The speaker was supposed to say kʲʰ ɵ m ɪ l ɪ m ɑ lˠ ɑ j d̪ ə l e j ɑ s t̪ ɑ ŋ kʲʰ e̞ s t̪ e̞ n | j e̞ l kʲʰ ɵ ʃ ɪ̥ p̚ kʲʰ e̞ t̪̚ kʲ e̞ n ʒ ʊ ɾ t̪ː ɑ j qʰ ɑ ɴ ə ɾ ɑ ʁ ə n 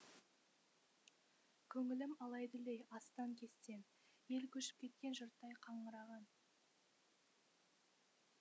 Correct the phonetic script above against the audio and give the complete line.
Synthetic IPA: kʲʰ ɵ ŋ ɪ l ɪ m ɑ lˠ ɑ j d̪ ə l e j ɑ s t̪ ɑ ŋ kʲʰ e̞ s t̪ e̞ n | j e̞ l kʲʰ ɵ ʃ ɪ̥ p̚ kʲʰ e̞ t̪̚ kʲ e̞ n ʒ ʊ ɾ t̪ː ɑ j qʰ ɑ ɴ ə ɾ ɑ ʁ ɑ n